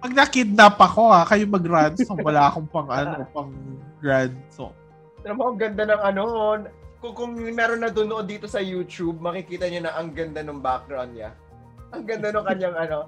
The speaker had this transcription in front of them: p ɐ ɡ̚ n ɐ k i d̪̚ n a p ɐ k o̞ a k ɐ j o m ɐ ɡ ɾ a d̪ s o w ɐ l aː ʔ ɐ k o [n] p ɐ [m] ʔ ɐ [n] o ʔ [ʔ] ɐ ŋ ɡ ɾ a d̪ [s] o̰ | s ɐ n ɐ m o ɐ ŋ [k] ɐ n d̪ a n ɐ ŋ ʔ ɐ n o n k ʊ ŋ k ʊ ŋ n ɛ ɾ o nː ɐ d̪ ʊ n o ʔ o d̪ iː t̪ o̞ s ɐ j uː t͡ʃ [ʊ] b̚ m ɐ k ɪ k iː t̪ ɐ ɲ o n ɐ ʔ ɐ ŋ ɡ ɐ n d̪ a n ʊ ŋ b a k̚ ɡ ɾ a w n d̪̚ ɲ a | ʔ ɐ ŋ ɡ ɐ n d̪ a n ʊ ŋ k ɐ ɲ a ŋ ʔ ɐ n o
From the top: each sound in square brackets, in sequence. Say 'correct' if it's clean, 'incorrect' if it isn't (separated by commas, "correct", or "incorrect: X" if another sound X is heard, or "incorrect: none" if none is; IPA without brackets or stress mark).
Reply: incorrect: ŋ, incorrect: ŋ, correct, incorrect: p, correct, incorrect: ɡ, incorrect: u